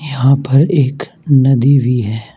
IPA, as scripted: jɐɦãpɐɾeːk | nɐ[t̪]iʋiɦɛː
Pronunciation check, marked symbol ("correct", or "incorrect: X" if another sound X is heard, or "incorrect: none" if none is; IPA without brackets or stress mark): incorrect: d̪